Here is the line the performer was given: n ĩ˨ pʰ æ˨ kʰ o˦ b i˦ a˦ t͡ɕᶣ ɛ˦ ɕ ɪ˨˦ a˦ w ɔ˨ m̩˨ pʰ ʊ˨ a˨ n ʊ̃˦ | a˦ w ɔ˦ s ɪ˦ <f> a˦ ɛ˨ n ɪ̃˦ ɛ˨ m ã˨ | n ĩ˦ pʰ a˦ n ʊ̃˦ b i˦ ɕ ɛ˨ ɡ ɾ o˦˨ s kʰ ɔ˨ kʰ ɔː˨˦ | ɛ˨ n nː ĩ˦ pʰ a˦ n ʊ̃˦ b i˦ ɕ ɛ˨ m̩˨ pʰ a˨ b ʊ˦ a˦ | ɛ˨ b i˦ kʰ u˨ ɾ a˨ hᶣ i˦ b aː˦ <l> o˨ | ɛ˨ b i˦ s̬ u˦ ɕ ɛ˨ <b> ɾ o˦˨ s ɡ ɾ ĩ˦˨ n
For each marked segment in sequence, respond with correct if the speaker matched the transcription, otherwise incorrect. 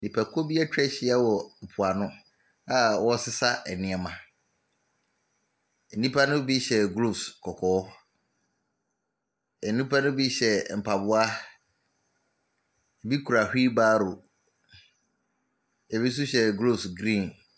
incorrect: s, incorrect: ɾ, incorrect: ɡ

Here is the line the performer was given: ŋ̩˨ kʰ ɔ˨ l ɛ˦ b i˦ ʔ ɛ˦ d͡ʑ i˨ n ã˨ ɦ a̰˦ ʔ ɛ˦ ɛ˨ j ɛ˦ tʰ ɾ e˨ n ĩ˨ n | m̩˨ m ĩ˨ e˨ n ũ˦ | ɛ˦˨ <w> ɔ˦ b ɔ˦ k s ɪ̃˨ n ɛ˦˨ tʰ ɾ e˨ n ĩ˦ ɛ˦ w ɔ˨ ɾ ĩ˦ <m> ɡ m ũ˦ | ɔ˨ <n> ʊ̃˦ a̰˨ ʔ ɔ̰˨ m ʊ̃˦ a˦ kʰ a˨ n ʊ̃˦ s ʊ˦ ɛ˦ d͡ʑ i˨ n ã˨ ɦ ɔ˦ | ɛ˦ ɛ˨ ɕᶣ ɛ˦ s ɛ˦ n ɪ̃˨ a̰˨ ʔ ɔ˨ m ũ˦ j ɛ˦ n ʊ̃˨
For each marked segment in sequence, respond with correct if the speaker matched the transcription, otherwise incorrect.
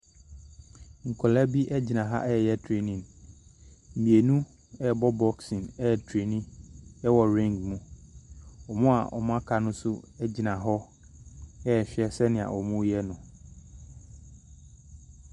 incorrect: b, incorrect: ŋ, incorrect: m

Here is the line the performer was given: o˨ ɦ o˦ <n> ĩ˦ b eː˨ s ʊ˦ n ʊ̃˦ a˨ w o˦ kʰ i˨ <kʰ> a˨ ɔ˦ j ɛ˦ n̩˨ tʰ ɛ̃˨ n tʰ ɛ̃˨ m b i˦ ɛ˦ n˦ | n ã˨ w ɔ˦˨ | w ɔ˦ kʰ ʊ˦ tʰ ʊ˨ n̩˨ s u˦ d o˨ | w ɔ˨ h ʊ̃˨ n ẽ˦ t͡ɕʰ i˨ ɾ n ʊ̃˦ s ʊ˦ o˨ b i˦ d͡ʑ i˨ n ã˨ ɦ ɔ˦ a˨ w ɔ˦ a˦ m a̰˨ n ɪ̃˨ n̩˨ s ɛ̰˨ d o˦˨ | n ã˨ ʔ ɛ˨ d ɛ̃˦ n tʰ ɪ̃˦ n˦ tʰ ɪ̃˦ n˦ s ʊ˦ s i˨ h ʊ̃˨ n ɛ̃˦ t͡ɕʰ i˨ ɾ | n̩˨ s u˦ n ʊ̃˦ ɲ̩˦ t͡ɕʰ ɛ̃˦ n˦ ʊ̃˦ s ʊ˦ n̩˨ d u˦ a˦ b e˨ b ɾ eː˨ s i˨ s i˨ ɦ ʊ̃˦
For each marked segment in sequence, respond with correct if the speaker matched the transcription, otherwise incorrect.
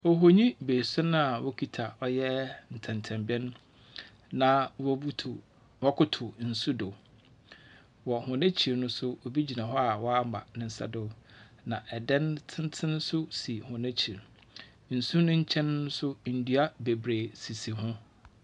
incorrect: ɲ, incorrect: tʰ

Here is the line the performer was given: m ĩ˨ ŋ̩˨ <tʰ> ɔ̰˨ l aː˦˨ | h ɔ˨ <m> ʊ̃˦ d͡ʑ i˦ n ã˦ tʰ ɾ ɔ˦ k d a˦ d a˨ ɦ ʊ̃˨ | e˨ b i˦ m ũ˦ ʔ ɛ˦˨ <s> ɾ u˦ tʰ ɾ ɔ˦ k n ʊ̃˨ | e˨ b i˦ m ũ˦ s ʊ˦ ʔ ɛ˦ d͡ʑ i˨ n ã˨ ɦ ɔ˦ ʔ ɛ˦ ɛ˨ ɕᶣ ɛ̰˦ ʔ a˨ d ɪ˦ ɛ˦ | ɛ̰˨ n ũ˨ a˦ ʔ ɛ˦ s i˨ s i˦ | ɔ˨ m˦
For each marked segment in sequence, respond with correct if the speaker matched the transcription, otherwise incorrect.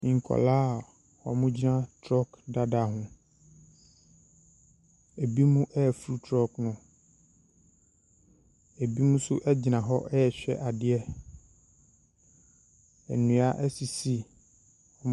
incorrect: kʰ, correct, incorrect: f

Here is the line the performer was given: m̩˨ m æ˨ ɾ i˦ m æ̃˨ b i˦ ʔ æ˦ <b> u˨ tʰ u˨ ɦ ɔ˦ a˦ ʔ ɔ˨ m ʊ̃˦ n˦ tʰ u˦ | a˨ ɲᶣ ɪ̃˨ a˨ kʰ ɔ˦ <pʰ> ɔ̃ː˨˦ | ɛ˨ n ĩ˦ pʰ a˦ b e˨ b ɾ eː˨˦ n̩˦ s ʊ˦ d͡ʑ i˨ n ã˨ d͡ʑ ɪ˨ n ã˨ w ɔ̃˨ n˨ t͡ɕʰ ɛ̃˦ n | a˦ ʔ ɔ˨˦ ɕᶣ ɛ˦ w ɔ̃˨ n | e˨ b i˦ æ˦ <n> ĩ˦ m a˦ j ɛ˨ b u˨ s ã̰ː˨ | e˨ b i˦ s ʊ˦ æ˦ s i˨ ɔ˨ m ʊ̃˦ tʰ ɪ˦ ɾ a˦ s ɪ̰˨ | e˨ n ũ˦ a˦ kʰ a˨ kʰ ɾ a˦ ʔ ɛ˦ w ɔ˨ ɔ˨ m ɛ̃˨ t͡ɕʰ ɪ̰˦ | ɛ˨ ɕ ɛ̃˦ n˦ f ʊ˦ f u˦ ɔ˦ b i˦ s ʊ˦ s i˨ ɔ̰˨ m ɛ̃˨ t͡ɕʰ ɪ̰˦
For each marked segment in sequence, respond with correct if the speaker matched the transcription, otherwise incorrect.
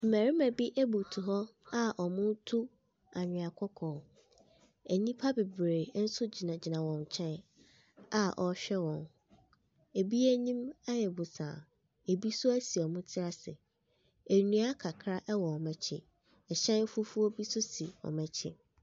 correct, incorrect: kʰ, incorrect: ɲ

